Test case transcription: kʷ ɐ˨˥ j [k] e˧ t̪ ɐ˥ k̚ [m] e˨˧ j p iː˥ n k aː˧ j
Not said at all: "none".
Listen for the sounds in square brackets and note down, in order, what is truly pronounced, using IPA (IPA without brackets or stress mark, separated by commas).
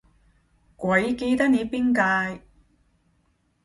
k, n